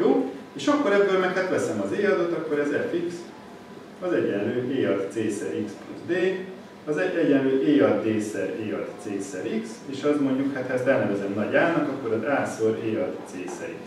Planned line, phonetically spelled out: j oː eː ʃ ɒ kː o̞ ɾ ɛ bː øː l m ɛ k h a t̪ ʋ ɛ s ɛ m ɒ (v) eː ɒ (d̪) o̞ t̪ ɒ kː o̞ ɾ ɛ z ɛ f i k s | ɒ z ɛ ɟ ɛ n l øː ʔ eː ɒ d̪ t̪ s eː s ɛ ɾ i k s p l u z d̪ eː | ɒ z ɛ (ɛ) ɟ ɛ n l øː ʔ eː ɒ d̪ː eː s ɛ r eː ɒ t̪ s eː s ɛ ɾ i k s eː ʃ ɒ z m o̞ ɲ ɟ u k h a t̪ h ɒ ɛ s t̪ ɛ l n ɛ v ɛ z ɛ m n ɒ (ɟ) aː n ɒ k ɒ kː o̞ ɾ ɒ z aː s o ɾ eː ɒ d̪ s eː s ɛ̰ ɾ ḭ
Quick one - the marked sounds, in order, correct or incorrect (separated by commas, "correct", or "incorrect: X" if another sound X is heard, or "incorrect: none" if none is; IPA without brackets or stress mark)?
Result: incorrect: z, correct, correct, correct